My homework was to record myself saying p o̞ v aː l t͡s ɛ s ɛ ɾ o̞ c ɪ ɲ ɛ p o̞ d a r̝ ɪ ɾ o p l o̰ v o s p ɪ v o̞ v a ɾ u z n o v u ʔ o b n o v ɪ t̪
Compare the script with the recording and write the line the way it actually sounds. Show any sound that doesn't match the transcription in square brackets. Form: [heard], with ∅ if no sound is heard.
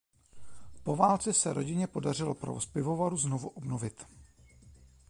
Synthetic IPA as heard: p o̞ v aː l t͡s ɛ s ɛ ɾ o̞ [ɟ] ɪ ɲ ɛ p o̞ d a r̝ ɪ [l] o p [ɾ] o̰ v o s p ɪ v o̞ v a ɾ u z n o v u ʔ o b n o v ɪ t̪